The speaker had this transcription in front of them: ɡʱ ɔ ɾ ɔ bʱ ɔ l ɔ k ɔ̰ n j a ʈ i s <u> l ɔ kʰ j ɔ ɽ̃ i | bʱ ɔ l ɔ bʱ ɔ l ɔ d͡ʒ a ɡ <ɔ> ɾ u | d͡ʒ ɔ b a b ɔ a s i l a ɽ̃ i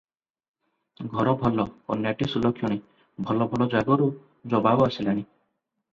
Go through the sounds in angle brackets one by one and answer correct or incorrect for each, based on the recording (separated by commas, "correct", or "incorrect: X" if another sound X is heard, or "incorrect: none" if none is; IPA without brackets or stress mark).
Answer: correct, correct